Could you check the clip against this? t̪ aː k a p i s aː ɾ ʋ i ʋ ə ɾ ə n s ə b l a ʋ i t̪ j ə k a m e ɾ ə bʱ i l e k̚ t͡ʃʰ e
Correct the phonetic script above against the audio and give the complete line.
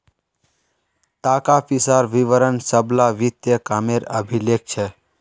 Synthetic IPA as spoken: t̪ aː k a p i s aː ɾ ʋ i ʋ ə ɾ ə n s ə b l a ʋ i t̪ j ə k a m e ɾ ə bʱ i l e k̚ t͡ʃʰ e